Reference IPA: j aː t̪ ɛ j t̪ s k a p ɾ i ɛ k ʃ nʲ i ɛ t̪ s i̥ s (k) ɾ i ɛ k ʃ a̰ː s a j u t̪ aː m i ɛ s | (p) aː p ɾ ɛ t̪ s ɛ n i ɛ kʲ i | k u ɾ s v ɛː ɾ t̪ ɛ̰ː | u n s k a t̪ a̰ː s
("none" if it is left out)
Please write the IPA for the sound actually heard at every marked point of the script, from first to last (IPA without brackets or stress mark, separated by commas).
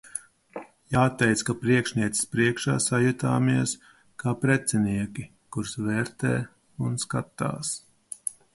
p, k